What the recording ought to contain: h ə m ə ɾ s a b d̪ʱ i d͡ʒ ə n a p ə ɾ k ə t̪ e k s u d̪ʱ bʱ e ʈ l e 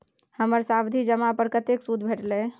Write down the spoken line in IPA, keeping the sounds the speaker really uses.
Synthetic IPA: h ə m ə ɾ s a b d̪ʱ i d͡ʒ ə m a p ə ɾ k ə t̪ e k s u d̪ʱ bʱ e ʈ l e

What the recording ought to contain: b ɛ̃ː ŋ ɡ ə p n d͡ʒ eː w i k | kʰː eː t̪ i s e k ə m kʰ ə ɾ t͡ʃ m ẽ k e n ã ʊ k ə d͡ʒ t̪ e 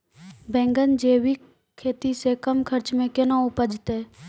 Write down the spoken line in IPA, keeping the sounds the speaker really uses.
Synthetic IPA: b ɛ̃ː ŋ ɡ ə n d͡ʒ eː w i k | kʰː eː t̪ i s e k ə m kʰ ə ɾ t͡ʃ m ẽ k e n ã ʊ p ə d͡ʒ t̪ e

